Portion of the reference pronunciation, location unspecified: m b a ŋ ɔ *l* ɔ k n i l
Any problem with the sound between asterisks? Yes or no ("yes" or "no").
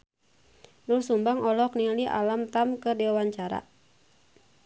no